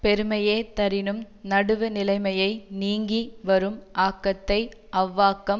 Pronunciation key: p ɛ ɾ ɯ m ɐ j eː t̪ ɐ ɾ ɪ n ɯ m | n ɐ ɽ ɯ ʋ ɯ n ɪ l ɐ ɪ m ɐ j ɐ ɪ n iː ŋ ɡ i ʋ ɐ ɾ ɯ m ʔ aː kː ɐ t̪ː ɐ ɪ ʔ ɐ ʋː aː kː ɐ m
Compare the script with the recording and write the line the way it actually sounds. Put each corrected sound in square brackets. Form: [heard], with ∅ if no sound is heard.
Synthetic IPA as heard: p ɛ ɾ ɯ m ɐ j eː t̪ ɐ ɾ ɪ n ɯ m | n ɐ ɽ ɯ ʋ ɯ n ɪ l ɐ ɪ m ɐ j ɐ ɪ n iː ŋ ɡ i ʋ ɐ ɾ ɯ m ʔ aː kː ɐ t̪ː ɐ ɪ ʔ ɐ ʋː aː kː ɐ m